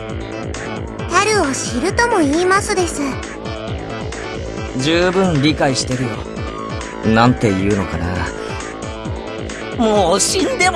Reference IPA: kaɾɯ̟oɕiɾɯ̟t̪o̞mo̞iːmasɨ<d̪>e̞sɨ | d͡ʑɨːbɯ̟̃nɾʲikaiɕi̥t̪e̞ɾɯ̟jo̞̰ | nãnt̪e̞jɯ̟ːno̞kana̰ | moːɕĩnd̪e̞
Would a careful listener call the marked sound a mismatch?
no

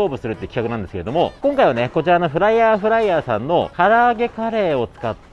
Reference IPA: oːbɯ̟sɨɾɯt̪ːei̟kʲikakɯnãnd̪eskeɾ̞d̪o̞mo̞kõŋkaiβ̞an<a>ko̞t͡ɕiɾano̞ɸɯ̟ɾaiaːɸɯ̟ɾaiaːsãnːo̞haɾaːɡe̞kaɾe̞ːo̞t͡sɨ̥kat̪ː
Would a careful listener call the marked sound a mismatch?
yes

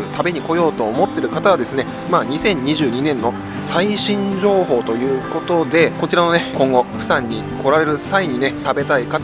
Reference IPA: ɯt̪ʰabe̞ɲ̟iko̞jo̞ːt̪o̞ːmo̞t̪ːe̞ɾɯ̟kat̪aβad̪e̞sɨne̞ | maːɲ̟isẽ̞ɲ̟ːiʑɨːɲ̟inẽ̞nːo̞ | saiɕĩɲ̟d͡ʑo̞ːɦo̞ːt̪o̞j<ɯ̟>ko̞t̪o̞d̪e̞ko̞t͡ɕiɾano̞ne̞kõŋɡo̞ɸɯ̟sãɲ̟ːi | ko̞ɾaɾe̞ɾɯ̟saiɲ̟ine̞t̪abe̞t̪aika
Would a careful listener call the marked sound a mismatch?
yes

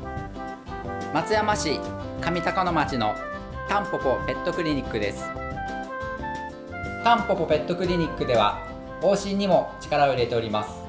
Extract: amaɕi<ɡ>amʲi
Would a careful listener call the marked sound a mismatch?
yes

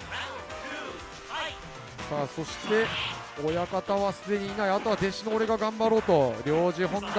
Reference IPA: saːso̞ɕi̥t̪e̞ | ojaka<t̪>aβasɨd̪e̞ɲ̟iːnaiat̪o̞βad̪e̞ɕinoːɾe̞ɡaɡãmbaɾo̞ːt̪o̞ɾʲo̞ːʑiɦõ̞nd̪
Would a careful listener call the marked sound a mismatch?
no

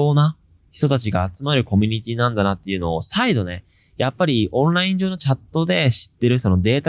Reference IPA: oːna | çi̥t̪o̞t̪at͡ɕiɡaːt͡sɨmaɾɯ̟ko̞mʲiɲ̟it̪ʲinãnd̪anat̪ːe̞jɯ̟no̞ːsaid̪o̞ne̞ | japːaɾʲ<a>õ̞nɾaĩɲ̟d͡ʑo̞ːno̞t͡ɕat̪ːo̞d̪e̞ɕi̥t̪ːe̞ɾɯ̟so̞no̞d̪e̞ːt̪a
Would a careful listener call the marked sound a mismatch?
yes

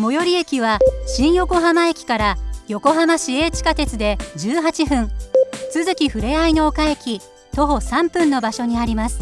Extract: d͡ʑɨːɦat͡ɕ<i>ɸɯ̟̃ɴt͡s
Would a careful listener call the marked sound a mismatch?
no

